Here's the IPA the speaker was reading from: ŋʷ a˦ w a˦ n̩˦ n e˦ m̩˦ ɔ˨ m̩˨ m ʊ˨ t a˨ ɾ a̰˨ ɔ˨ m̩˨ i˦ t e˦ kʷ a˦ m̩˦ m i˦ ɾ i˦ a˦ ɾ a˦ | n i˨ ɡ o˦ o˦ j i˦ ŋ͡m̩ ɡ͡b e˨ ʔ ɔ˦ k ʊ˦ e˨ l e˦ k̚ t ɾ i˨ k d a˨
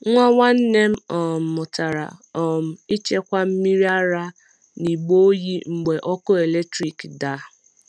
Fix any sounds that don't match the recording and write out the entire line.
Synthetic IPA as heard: ŋʷ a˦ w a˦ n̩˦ n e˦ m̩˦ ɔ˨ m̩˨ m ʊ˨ t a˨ ɾ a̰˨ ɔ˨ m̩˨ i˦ t͡ʃ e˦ kʷ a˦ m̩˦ m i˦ ɾ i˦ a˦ ɾ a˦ | n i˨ ɡ͡b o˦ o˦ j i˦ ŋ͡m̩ ɡ͡b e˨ ʔ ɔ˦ k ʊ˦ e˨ l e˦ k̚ t ɾ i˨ k d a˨

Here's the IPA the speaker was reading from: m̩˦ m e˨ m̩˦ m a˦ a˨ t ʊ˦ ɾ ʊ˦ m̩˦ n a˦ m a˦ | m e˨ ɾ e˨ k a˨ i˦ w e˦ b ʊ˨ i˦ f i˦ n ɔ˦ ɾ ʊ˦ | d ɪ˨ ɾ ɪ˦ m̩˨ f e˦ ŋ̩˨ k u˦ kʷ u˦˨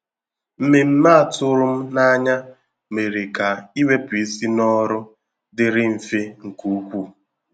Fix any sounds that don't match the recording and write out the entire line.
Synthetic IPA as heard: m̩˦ m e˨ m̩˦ m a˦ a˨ t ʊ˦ ɾ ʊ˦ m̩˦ n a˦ ɲ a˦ | m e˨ ɾ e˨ k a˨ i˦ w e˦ p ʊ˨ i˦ s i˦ n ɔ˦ ɾ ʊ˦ | d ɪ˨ ɾ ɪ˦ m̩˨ f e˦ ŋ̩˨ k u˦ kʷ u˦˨

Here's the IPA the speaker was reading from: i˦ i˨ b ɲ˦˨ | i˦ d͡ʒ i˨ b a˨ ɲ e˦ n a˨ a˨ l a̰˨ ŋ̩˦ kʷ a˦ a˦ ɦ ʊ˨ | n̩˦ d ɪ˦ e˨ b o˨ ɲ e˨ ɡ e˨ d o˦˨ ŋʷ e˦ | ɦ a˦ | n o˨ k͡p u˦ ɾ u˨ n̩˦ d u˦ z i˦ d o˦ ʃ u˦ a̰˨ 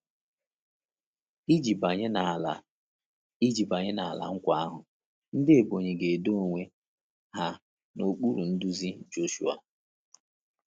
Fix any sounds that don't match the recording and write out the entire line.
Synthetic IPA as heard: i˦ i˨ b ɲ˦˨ | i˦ d͡ʒ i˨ b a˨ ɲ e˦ n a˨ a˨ l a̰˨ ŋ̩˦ kʷ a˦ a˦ ɦ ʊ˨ | n̩˦ d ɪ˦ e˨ b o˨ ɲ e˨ ɡ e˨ d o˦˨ ŋʷ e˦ | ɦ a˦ | n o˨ k͡p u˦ ɾ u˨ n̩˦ d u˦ z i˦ d͡ʒ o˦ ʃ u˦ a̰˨

